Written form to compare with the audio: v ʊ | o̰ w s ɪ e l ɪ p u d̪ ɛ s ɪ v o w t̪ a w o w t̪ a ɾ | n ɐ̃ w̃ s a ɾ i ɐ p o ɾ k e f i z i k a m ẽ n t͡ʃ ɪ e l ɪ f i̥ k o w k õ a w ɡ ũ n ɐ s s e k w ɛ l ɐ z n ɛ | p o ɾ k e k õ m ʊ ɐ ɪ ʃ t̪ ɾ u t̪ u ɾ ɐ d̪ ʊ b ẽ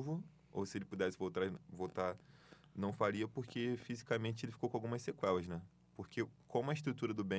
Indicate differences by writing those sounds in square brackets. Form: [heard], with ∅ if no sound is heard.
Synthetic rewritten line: v ʊ | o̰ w s ɪ e l ɪ p u d̪ ɛ s ɪ v o w t̪ a [v] o w t̪ a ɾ | n ɐ̃ w̃ [f] a ɾ i ɐ p o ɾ k e f i z i k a m ẽ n t͡ʃ ɪ e l ɪ f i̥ k o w k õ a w ɡ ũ [m] ɐ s s e k w ɛ l ɐ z n ɛ | p o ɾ k e k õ m ʊ ɐ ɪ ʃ t̪ ɾ u t̪ u ɾ ɐ d̪ ʊ b ẽ